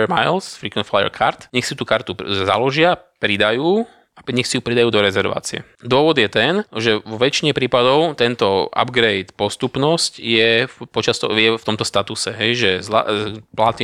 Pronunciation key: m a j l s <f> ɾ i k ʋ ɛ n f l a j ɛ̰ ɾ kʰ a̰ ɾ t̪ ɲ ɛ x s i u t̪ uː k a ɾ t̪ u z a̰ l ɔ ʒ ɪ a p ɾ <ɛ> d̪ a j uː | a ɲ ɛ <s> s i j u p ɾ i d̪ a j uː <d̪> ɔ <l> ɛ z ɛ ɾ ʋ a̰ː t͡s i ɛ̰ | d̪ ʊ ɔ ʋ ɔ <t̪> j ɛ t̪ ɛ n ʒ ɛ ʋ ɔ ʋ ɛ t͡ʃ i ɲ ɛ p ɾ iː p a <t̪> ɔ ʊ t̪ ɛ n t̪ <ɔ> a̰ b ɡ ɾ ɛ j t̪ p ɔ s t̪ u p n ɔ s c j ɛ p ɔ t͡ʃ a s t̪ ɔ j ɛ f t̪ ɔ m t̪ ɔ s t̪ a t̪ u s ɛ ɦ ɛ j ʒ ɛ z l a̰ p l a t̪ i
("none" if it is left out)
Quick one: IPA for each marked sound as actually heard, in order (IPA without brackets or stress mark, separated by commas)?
f, i, x, d̪, ɾ, d̪, d̪, ɔ